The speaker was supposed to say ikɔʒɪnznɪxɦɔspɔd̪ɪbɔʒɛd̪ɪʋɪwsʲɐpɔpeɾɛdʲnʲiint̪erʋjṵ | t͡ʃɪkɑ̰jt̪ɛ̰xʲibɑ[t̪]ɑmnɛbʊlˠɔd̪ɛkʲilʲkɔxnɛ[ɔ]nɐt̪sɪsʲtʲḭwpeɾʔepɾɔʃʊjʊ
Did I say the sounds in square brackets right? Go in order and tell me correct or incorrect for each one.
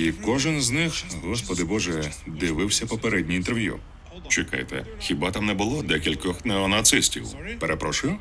correct, correct

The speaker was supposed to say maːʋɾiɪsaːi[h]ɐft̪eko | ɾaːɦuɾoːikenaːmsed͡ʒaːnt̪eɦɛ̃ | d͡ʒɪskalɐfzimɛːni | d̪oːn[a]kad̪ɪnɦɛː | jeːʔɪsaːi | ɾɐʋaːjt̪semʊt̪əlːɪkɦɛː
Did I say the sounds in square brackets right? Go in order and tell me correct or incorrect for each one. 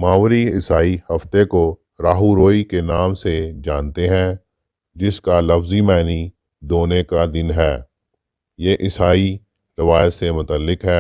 correct, incorrect

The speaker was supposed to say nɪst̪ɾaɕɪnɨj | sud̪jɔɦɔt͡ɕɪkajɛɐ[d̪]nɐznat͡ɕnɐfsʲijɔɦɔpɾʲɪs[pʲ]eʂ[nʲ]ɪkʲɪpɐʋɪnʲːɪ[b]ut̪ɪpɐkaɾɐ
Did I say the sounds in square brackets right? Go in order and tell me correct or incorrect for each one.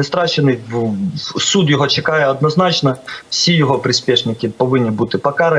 correct, correct, correct, correct

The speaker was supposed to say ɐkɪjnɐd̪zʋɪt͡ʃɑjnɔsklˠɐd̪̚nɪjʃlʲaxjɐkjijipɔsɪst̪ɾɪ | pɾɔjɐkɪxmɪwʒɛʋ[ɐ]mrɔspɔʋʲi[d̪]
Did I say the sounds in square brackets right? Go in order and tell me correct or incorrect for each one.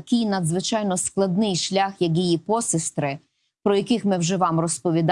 incorrect, correct

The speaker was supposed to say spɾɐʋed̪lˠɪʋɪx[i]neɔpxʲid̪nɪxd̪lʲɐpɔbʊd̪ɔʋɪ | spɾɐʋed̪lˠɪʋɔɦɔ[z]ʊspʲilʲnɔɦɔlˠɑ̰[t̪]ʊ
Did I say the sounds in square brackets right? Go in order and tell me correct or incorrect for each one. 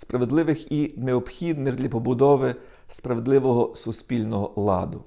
correct, incorrect, incorrect

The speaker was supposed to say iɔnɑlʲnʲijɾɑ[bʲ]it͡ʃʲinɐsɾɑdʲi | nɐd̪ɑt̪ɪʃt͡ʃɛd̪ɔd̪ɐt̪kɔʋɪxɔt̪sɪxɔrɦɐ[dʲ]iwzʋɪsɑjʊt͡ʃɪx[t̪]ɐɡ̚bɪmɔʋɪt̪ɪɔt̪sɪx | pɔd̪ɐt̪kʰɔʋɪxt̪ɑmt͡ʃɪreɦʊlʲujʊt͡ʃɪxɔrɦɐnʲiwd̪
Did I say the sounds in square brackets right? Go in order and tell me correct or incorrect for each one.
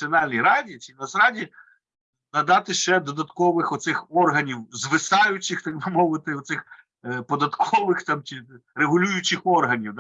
incorrect, incorrect, correct

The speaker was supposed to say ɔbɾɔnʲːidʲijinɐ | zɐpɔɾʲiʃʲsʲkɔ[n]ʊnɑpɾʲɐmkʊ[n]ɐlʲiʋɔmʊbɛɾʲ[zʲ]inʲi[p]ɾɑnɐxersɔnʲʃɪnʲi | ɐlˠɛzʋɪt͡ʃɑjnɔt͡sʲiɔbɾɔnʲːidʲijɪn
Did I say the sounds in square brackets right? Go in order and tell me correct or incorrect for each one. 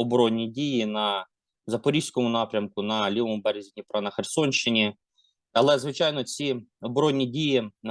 incorrect, correct, correct, correct

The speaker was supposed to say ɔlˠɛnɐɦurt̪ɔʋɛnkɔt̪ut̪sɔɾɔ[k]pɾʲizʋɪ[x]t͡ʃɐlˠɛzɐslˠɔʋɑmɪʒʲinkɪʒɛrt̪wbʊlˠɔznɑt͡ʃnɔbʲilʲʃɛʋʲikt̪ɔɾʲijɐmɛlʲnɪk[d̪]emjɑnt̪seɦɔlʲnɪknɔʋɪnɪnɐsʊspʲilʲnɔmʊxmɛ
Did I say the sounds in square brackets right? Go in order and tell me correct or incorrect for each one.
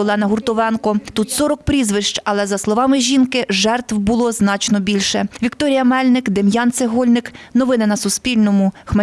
correct, incorrect, correct

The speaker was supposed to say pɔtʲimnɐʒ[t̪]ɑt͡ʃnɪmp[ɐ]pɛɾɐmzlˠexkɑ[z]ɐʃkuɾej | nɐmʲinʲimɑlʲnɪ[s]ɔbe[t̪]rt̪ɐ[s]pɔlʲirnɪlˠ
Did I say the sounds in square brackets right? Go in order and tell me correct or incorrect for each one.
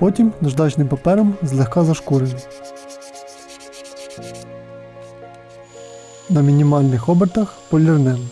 incorrect, correct, correct, incorrect, incorrect, incorrect

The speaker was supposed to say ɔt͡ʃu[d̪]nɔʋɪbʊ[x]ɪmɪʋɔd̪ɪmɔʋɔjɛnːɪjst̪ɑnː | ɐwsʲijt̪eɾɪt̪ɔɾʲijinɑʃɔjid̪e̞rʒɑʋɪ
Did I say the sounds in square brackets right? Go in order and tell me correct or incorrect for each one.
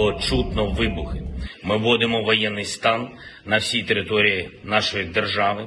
incorrect, correct

